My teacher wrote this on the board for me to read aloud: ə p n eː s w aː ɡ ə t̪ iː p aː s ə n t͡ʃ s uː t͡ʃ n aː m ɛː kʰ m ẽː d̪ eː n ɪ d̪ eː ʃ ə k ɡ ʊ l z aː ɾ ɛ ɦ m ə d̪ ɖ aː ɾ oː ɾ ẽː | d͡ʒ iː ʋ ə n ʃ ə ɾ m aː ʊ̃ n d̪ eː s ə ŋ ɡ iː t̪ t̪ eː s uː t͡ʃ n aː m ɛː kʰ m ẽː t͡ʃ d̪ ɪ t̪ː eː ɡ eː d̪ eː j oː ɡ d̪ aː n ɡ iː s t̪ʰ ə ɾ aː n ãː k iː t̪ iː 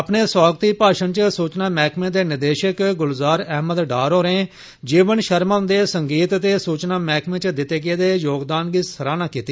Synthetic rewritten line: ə p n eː s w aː ɡ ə t̪ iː p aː ʃ ə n t͡ʃ s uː t͡ʃ n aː m ɛː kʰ m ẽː d̪ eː n ɪ d̪ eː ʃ ə k ɡ ʊ l z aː ɾ ɛ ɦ m ə d̪ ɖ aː ɾ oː ɾ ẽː | d͡ʒ iː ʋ ə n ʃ ə ɾ m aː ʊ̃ n d̪ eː s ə ŋ ɡ iː t̪ t̪ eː s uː t͡ʃ n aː m ɛː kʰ m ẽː t͡ʃ d̪ ɪ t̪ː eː ɡ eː d̪ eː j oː ɡ d̪ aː n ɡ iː s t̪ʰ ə ɾ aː n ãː k iː t̪ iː